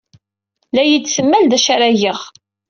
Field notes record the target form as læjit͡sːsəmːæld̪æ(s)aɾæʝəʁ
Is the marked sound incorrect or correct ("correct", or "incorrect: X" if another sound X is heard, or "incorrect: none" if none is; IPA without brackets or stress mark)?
incorrect: ʃ